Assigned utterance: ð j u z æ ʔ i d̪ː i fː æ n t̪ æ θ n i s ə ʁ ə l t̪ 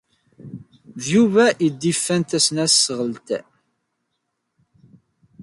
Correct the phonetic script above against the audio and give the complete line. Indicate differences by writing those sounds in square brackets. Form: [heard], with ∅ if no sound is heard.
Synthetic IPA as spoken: ð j u [v] æ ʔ i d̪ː i fː æ n t̪ æ [s] n [æ] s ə ʁ ə l t̪